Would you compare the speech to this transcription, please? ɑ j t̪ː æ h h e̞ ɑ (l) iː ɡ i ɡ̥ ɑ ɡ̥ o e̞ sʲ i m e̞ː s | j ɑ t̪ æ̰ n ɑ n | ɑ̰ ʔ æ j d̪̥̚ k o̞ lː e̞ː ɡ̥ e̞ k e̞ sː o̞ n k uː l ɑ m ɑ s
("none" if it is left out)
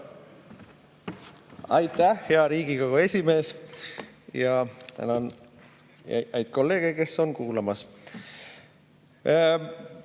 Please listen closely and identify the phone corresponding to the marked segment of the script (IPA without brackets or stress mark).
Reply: ɾ